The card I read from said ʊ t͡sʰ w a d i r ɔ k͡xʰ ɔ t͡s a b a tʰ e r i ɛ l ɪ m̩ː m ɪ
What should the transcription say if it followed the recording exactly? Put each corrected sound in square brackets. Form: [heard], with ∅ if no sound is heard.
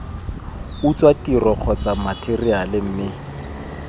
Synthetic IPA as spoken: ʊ [t͡s] w a [t] i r ɔ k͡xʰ ɔ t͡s a [m] a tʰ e r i [a] l ɪ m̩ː m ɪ